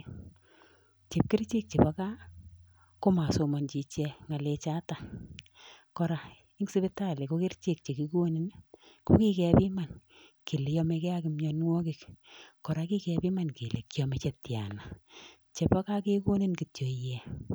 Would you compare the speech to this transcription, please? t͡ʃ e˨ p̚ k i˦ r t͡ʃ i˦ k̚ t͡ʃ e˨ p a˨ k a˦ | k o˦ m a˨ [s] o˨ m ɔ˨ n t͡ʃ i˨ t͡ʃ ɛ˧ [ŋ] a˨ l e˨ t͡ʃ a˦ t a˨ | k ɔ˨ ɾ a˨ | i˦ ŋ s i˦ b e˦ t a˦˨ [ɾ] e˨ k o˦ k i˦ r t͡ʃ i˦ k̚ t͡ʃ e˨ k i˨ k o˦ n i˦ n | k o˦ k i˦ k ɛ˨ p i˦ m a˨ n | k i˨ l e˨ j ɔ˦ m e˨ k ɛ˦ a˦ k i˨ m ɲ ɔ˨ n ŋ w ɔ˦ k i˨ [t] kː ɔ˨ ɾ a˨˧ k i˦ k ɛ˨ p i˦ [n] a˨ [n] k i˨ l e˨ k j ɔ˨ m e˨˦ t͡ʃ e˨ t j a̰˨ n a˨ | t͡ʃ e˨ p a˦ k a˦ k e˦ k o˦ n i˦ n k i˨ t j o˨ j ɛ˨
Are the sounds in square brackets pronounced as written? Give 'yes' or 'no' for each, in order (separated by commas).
yes, yes, no, no, no, yes